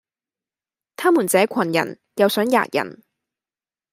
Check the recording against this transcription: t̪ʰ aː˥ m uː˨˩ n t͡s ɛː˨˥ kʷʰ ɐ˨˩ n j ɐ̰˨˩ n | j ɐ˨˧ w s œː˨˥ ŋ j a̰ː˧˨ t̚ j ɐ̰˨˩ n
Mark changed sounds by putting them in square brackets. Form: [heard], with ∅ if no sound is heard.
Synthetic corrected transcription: t̪ʰ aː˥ m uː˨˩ n t͡s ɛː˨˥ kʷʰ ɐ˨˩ n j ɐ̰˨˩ n | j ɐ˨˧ w s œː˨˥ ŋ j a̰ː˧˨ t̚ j ɐ̰˨˩ n